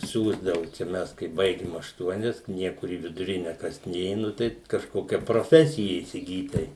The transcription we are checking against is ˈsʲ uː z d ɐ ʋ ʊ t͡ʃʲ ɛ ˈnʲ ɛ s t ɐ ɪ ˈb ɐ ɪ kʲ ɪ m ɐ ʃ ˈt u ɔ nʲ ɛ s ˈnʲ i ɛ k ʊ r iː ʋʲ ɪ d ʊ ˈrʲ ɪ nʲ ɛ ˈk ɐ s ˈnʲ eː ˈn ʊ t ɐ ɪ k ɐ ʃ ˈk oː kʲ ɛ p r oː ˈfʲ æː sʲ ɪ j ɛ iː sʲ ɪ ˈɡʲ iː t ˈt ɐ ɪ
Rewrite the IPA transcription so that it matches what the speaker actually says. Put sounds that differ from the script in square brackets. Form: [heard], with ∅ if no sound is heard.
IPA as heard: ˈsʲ uː z d ɐ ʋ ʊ t͡ʃʲ ɛ [ˈmʲ] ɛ s [k] ɐ ɪ ˈb ɐ ɪ [ɡʲ] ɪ m ɐ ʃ ˈt u ɔ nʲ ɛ s ˈnʲ i ɛ k ʊ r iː ʋʲ ɪ d ʊ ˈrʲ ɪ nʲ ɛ ˈk ɐ s ˈnʲ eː ˈn ʊ t ɐ ɪ k ɐ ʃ ˈk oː kʲ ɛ p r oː ˈfʲ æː sʲ ɪ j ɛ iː sʲ ɪ ˈɡʲ iː t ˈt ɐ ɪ